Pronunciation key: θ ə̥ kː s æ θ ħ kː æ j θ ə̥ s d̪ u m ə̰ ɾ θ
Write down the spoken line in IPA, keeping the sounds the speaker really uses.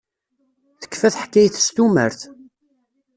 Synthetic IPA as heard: θ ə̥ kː f æ θ ħ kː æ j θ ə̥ s t̪ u m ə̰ ɾ θ